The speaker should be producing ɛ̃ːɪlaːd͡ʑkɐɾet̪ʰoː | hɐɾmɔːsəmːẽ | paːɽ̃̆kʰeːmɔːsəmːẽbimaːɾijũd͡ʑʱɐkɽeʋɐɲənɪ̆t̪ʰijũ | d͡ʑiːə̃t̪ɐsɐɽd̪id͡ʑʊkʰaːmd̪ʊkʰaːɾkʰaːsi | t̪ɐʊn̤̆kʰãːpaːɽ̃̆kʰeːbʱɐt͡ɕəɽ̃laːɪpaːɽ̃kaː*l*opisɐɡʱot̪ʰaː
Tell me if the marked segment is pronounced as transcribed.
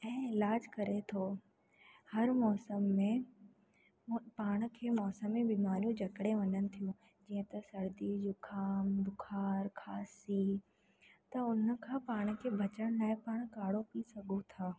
no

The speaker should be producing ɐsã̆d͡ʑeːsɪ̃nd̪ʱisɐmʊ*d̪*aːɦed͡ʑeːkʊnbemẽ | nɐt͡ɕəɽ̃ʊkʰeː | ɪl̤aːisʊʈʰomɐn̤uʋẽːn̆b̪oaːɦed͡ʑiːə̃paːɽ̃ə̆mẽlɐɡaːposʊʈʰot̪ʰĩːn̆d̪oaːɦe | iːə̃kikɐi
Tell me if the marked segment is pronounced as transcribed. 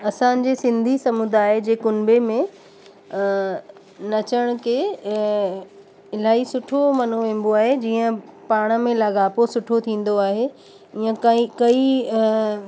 yes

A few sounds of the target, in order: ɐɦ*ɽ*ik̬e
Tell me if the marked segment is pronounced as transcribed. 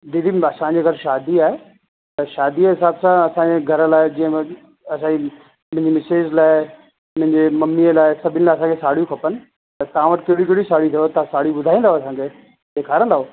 yes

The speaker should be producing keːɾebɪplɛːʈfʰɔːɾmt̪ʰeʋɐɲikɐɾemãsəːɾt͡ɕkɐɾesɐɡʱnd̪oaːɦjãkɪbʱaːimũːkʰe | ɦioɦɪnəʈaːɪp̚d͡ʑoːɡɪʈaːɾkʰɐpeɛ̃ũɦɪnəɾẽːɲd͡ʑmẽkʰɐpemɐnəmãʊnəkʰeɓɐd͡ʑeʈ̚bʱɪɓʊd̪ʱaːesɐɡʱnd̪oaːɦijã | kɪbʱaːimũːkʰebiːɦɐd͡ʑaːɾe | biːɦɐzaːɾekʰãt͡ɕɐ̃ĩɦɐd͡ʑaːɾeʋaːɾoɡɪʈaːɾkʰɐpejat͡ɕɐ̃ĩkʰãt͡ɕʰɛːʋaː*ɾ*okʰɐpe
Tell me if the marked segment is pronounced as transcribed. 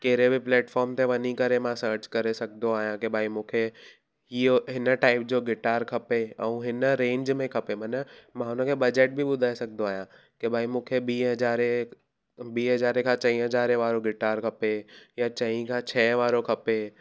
yes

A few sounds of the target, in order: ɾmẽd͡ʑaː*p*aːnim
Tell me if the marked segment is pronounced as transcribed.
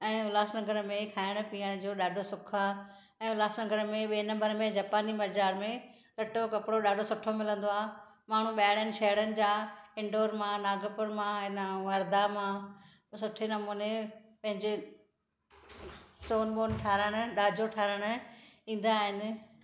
yes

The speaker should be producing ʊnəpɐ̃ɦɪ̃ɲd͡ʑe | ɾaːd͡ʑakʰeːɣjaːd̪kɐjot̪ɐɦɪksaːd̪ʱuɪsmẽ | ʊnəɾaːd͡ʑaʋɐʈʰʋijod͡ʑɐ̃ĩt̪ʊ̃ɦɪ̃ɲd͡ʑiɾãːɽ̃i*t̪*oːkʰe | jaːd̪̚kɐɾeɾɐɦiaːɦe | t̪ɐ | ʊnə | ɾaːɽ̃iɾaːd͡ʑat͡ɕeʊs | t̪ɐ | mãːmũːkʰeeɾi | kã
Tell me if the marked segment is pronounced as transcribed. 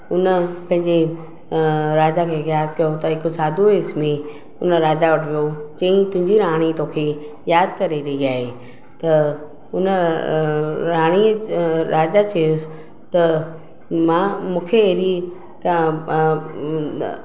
yes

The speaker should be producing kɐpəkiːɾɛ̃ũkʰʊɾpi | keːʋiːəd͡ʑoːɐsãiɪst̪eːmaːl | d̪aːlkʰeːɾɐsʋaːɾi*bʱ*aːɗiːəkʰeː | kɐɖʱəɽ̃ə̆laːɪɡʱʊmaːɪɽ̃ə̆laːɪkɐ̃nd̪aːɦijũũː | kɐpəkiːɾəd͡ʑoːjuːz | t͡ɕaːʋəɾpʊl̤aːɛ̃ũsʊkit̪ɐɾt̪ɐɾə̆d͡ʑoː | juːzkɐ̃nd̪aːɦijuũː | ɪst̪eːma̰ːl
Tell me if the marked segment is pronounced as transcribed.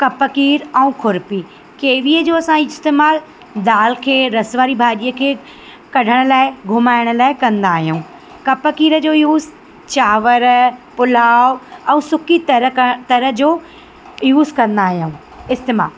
yes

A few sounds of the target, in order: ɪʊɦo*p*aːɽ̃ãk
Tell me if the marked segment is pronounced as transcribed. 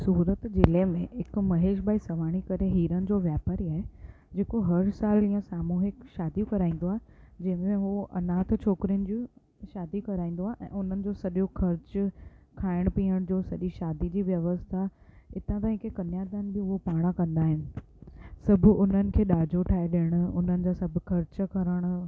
yes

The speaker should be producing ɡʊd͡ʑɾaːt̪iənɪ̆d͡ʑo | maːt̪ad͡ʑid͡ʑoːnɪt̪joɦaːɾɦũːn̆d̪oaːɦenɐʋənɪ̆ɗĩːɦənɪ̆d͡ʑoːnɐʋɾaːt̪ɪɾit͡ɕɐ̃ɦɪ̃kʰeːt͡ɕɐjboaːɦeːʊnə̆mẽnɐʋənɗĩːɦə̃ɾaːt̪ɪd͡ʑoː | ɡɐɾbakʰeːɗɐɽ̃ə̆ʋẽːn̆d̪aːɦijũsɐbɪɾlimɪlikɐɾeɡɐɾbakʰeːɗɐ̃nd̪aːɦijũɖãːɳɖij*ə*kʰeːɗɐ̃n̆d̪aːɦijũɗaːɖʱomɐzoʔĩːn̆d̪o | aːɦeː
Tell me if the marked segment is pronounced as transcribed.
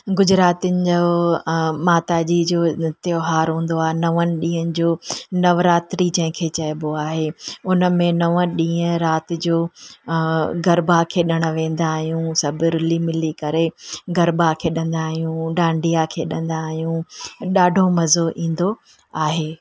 no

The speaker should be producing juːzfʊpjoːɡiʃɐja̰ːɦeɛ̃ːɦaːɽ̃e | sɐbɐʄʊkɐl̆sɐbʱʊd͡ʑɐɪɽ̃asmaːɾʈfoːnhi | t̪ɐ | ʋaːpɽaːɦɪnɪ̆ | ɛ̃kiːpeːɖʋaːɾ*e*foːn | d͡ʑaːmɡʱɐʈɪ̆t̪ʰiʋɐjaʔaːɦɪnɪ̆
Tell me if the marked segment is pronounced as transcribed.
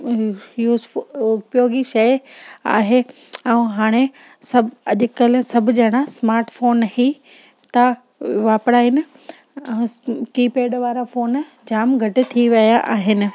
no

